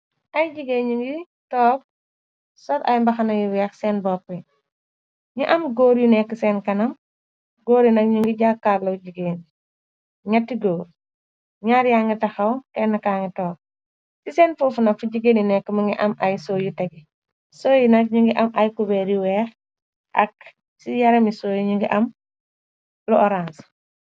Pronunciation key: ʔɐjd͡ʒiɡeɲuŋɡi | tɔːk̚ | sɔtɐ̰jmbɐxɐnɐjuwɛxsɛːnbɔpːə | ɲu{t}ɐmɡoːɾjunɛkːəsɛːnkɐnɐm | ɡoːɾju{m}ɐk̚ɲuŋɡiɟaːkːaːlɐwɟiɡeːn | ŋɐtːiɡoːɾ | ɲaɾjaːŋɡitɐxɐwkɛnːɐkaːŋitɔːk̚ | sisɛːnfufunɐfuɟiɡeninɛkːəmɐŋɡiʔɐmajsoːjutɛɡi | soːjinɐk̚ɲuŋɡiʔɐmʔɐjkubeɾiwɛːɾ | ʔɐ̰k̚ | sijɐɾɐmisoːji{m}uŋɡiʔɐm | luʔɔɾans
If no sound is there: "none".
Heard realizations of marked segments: ʔ, n, ɲ

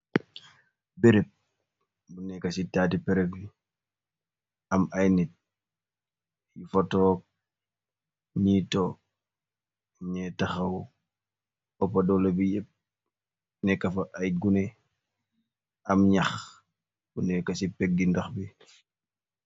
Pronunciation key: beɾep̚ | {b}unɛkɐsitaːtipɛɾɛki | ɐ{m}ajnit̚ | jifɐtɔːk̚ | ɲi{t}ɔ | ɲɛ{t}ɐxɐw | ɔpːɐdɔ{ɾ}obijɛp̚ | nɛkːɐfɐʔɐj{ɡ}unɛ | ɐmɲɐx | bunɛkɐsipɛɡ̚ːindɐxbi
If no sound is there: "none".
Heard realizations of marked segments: b, m, t, t, l, ɡ

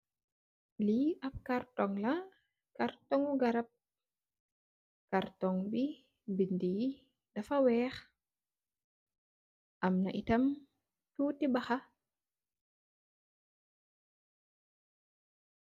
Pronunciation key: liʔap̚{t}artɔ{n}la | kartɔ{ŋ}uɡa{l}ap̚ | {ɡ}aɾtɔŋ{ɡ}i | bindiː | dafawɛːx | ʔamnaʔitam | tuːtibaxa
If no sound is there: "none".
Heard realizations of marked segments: k, ŋ, ŋ, ɾ, k, b

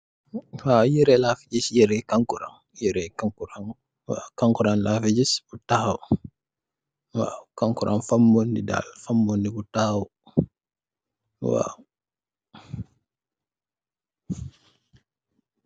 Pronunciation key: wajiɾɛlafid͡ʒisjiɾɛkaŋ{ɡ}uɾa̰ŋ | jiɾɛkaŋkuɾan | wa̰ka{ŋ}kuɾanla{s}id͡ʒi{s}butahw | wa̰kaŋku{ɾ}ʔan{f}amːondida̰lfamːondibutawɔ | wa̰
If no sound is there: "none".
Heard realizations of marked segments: k, ŋ, f, s, ɾ, f

